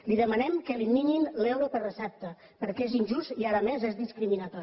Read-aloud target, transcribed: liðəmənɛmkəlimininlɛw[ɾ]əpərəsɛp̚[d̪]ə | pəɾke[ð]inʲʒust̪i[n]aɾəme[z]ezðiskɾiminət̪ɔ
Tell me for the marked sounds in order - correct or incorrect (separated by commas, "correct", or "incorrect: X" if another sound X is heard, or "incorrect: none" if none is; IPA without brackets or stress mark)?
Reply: correct, incorrect: t̪, incorrect: z, incorrect: none, correct